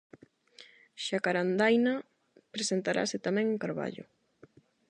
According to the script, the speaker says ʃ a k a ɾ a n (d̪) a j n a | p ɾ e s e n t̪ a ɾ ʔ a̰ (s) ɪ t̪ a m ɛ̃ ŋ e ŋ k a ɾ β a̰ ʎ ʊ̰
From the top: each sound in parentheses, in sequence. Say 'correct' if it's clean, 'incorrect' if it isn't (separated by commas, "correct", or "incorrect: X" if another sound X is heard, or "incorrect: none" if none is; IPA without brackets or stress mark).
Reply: correct, correct